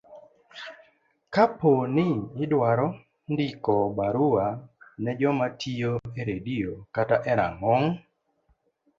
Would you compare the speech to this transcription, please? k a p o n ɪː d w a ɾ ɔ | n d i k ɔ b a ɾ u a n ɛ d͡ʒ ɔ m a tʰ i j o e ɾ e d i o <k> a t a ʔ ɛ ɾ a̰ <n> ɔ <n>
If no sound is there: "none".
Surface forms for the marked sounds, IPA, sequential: k, ŋ, ŋ

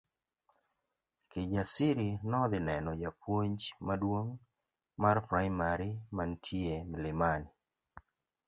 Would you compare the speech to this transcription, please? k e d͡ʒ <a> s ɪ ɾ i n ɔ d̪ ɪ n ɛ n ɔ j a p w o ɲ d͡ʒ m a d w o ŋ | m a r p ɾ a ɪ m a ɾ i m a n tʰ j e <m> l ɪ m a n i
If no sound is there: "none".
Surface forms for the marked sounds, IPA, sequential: a, m

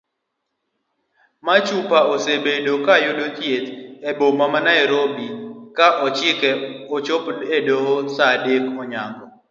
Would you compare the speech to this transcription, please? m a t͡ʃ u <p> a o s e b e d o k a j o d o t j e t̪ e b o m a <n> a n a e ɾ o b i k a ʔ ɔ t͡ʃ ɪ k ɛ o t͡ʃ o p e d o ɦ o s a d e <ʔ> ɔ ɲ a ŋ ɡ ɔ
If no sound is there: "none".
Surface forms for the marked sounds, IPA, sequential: p, m, k

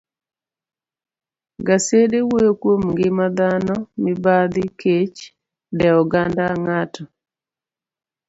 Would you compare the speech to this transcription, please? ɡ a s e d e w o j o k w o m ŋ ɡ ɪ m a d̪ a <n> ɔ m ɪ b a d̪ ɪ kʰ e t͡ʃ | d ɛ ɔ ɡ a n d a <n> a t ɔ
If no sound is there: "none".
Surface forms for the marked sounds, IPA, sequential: n, ŋ

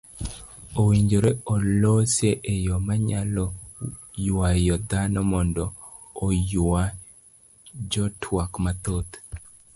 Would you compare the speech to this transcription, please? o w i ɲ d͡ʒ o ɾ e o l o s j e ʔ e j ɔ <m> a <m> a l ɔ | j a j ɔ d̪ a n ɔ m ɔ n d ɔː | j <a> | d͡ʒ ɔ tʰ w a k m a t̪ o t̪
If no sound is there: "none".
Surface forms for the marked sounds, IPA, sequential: m, ɲ, a

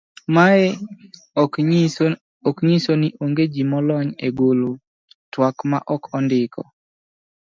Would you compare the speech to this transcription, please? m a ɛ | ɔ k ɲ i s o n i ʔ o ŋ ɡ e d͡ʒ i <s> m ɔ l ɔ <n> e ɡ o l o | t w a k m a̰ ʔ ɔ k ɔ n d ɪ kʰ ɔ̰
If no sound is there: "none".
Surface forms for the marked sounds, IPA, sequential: none, ɲ

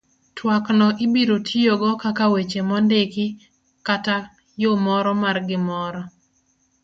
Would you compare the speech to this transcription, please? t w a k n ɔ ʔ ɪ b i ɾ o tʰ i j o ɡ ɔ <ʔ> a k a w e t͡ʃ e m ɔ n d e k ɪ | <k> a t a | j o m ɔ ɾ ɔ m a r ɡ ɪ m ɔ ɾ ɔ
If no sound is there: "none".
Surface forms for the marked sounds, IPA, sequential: k, k

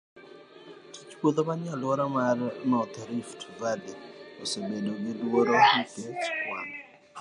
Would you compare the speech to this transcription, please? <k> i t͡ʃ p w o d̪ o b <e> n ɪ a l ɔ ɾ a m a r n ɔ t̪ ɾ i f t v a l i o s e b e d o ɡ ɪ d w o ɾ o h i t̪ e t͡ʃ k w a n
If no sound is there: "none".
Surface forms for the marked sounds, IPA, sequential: t, a

